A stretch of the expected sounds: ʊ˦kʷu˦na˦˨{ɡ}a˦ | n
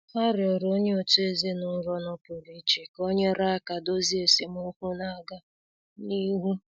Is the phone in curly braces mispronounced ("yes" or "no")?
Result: no